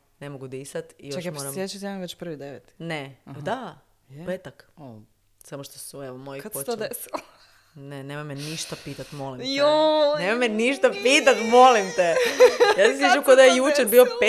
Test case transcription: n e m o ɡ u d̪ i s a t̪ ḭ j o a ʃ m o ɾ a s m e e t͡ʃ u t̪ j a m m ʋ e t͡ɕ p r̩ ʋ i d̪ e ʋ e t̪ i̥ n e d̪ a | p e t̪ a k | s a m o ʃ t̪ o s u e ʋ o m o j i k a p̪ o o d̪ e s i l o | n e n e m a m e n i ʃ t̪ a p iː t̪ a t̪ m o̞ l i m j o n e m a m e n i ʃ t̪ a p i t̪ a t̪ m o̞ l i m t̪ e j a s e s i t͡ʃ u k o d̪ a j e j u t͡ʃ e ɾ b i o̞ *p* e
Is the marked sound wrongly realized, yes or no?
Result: no